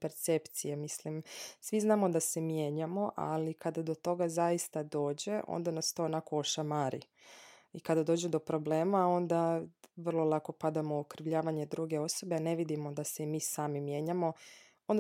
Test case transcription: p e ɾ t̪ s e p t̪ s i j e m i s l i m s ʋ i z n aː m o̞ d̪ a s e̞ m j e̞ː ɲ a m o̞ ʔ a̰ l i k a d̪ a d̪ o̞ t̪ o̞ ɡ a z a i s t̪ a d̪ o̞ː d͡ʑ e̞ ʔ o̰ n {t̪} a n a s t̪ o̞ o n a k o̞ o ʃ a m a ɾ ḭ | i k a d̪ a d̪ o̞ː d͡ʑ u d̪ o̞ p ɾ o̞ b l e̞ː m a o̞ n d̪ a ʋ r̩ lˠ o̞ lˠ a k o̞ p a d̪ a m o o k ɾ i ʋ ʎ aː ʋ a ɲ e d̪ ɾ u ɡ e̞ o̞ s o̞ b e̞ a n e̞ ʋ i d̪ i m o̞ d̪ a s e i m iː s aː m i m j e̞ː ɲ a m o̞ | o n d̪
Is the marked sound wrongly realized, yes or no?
yes